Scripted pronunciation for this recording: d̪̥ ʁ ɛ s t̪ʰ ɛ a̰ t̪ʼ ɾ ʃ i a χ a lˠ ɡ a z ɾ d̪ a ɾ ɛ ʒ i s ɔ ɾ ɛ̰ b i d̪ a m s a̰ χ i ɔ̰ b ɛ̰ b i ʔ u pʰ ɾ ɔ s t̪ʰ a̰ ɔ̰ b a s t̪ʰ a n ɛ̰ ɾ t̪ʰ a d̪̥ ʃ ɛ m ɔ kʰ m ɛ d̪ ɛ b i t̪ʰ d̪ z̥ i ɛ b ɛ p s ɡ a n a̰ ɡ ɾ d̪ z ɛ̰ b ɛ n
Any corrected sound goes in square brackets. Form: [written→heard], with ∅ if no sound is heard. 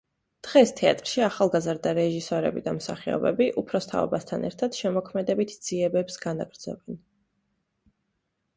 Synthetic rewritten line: d̪̥ ʁ ɛ s t̪ʰ ɛ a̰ t̪ʼ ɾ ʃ i a χ a lˠ ɡ a z ɾ d̪ a ɾ ɛ ʒ i s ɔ ɾ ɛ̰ b i d̪ a m s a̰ χ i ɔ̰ b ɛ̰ b i ʔ u pʰ ɾ ɔ s t̪ʰ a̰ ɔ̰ b a s t̪ʰ a n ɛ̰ ɾ t̪ʰ a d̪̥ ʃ ɛ m ɔ kʰ m ɛ d̪ ɛ b i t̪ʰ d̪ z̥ i ɛ b ɛ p s ɡ a n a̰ ɡ ɾ d̪ z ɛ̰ b ɛ n